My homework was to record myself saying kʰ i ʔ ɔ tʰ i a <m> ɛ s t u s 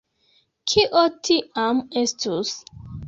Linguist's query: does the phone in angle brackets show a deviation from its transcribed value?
no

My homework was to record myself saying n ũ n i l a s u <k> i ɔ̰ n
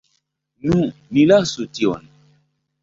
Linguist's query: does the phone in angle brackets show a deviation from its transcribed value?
yes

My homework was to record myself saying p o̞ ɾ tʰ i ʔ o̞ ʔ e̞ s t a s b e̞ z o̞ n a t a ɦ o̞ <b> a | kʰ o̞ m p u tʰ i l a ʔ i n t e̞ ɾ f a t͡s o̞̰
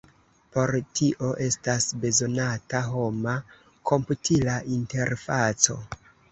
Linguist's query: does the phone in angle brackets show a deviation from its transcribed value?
yes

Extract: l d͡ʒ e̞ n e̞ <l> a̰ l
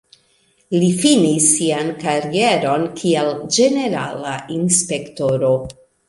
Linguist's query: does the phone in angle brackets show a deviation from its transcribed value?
yes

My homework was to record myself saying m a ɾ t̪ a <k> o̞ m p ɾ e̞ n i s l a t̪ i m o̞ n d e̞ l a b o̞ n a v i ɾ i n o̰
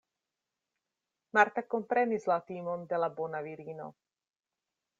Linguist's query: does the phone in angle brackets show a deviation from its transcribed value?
no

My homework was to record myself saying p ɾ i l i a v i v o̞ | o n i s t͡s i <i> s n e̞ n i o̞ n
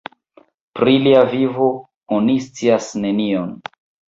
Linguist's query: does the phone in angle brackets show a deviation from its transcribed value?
yes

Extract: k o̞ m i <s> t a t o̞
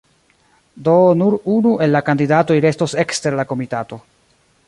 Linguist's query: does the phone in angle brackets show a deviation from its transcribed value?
yes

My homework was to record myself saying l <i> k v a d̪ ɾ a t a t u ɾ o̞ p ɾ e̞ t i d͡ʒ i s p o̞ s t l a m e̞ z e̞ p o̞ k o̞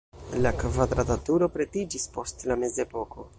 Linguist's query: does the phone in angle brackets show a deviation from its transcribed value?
yes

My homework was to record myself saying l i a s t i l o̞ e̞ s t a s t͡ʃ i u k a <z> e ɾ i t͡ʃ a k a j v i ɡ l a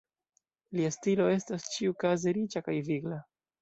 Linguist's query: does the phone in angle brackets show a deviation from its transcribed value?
no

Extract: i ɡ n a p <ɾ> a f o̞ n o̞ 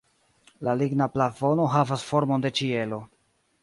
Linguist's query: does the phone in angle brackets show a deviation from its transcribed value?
yes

